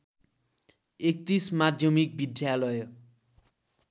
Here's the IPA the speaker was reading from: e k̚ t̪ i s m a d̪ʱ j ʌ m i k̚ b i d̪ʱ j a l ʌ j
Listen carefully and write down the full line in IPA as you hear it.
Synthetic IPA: e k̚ t̪ i s m a d̪ʱ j ʌ m i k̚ b i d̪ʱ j a l ʌ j